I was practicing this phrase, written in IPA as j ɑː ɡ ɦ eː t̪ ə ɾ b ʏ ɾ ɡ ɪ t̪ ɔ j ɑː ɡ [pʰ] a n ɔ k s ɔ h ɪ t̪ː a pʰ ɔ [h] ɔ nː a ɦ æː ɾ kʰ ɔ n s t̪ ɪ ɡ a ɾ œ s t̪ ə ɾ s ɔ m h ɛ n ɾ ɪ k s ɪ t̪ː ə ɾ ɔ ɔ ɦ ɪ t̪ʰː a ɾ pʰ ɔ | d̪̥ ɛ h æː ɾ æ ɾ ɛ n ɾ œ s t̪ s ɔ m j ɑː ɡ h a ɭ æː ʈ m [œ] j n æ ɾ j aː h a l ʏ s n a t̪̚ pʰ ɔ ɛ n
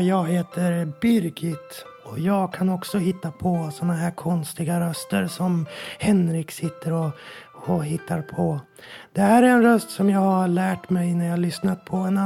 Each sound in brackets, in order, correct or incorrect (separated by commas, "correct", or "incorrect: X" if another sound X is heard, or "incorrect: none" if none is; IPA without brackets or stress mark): incorrect: kʰ, incorrect: s, incorrect: ɛ